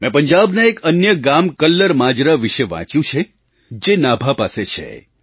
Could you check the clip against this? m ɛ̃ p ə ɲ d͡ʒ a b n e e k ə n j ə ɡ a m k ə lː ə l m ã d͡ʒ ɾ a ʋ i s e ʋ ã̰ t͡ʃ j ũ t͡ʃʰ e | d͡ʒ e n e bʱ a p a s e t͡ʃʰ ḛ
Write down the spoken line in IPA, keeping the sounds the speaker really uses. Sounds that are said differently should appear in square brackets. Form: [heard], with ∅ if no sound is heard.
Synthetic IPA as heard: m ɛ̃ p ə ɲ d͡ʒ a b n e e k ə n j ə ɡ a m k ə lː ə [ɾ] m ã d͡ʒ ɾ a ʋ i [ʃ] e ʋ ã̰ t͡ʃ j ũ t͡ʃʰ e | d͡ʒ e n [a] bʱ a p a s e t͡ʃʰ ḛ